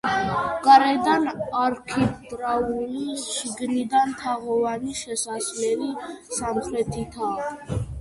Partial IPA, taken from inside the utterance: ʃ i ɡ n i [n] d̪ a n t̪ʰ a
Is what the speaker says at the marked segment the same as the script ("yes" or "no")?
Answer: no